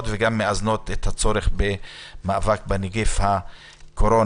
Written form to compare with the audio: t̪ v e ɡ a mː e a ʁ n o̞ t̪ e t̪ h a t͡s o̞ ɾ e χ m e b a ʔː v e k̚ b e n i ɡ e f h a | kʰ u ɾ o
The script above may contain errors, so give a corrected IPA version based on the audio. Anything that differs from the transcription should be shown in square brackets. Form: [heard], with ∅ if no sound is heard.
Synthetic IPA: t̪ v e ɡ a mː e a [z] n o̞ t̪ e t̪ h a t͡s o̞ ɾ e χ [b] e [m] a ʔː v [a] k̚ b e n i ɡ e f h a | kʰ [o] ɾ o